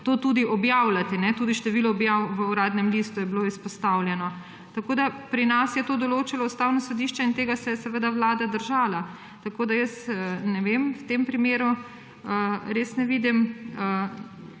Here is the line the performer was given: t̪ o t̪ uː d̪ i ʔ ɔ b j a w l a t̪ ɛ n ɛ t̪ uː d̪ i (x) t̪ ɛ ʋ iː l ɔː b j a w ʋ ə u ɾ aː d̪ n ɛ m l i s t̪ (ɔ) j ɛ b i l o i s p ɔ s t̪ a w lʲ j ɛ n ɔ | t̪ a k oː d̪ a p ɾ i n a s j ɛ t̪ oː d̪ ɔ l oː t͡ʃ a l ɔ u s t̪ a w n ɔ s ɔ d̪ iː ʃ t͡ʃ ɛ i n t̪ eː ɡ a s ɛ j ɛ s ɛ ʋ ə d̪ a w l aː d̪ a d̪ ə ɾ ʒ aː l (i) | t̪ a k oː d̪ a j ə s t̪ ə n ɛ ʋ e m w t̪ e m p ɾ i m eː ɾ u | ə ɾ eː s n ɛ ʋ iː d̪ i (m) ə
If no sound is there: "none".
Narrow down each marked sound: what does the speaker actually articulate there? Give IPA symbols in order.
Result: ʃ, u, a, m

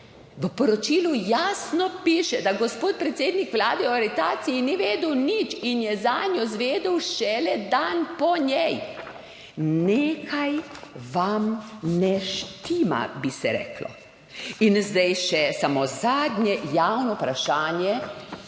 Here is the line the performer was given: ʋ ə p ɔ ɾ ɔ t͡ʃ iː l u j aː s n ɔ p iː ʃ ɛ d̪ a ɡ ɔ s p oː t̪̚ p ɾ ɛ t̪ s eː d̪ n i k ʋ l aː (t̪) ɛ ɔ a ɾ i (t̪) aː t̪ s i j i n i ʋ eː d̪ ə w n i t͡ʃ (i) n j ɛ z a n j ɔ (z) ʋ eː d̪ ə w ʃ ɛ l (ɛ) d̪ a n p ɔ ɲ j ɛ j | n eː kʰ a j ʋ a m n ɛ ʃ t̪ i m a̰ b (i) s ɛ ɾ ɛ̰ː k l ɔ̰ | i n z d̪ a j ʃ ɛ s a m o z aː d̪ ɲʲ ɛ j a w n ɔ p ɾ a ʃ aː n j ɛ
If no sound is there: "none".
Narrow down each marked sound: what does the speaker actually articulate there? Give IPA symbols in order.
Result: d̪, t̪, i, z, ɛ, i

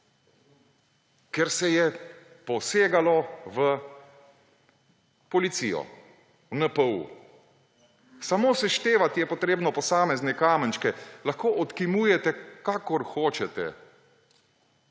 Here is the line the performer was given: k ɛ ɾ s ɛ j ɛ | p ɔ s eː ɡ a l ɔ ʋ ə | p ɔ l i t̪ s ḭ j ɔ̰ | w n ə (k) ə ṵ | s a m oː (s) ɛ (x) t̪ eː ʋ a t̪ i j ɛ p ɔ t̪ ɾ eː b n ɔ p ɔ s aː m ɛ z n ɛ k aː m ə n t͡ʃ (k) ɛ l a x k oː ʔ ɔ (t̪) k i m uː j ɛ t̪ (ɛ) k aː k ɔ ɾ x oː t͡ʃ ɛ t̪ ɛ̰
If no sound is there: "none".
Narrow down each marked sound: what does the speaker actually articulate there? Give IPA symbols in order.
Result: p, s, ʃ, k, t̪, ɛ

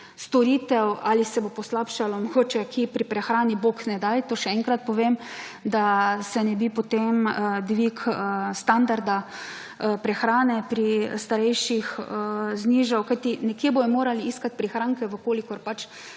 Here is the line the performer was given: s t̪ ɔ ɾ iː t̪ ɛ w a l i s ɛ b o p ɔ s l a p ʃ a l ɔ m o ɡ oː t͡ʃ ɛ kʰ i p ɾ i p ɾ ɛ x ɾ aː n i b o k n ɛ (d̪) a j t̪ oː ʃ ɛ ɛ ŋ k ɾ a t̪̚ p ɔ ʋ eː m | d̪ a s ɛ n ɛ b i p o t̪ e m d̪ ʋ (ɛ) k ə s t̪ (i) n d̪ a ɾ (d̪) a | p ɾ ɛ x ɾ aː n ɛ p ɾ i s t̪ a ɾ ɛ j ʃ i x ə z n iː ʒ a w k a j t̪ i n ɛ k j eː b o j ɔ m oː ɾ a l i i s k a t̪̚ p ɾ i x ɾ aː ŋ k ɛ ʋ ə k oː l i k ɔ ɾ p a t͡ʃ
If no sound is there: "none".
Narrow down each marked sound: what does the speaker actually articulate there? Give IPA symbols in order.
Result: d̪, i, a, d̪

